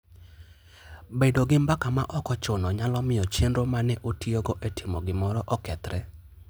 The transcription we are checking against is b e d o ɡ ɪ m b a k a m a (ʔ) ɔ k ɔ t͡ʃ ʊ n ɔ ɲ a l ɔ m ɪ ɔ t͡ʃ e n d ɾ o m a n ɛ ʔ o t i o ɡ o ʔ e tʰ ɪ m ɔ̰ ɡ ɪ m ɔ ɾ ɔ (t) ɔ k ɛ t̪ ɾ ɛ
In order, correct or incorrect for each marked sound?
correct, incorrect: ʔ

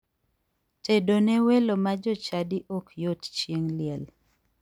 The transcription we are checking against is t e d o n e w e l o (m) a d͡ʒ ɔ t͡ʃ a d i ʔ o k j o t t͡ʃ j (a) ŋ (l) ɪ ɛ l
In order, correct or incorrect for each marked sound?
correct, incorrect: e, correct

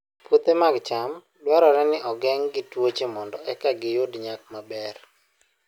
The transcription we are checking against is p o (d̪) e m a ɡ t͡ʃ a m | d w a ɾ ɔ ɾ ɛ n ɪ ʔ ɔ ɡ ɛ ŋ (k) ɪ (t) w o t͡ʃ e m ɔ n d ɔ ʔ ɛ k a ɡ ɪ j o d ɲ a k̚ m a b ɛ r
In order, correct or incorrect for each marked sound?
incorrect: t̪, incorrect: ɡ, correct

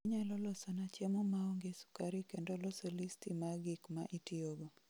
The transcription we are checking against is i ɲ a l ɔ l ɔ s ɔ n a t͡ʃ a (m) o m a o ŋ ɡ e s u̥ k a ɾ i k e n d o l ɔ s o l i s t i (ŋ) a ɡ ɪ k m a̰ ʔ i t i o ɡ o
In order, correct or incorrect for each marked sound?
correct, incorrect: m

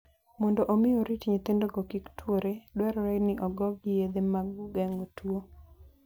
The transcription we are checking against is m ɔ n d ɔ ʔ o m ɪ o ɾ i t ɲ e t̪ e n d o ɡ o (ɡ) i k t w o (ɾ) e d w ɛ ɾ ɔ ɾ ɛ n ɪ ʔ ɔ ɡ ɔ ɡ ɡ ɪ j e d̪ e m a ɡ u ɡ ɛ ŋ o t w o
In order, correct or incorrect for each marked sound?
incorrect: k, correct

